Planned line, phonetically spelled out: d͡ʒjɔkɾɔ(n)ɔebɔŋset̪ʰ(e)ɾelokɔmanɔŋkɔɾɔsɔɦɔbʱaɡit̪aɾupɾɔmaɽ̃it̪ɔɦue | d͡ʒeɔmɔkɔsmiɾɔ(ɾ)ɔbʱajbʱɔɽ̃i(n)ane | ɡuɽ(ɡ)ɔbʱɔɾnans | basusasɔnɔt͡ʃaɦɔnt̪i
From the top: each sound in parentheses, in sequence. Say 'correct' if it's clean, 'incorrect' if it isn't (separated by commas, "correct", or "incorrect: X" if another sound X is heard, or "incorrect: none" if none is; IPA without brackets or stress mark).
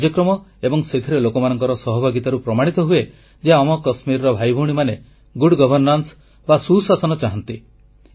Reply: incorrect: m, incorrect: i, correct, incorrect: m, correct